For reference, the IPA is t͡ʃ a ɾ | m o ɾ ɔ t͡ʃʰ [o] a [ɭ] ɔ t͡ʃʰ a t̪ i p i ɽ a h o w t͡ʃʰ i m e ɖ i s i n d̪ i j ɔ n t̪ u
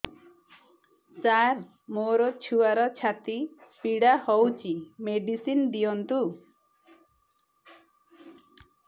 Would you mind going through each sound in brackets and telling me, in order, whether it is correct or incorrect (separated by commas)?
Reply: incorrect, incorrect